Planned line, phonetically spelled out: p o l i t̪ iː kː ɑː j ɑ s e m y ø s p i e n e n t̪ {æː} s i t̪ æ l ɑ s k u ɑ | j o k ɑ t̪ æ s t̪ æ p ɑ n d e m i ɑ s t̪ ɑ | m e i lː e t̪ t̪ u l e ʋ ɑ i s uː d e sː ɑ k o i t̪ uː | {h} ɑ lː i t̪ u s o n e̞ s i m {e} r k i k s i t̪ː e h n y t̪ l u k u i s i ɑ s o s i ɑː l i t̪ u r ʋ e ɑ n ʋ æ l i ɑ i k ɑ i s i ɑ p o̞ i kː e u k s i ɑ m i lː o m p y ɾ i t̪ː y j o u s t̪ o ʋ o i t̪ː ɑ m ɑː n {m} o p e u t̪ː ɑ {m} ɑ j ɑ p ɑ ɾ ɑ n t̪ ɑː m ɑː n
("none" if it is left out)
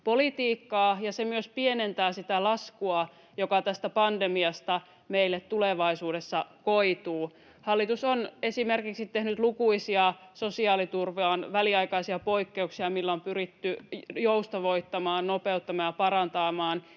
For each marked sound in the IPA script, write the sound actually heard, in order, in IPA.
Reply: æː, h, e, n, m

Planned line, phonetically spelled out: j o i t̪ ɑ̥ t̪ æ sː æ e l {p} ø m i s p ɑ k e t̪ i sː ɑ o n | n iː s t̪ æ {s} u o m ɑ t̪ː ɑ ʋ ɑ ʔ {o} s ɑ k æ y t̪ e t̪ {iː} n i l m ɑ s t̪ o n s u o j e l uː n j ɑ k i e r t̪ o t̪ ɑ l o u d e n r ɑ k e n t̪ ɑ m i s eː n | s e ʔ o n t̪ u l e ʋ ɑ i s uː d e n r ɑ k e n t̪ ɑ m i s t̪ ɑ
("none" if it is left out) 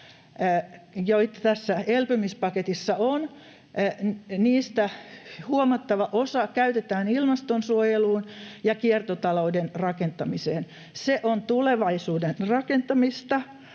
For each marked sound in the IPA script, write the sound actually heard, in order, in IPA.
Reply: p, h, o, æː

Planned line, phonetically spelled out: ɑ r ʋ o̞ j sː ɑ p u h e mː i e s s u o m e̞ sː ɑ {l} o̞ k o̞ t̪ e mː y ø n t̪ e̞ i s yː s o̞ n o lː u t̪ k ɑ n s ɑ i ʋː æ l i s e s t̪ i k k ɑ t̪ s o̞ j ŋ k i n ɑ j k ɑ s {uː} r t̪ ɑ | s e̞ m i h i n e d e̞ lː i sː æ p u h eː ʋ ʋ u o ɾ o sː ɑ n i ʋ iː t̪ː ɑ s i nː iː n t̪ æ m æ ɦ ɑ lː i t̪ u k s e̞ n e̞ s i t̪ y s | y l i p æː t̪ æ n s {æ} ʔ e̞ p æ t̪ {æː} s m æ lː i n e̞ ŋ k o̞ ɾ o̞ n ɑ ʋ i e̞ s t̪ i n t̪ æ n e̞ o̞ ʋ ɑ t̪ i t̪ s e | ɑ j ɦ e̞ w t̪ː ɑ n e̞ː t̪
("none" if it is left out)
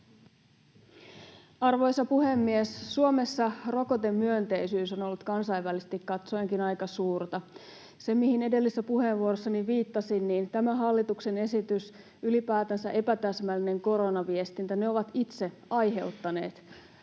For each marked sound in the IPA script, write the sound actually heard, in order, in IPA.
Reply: r, uː, æ, æ

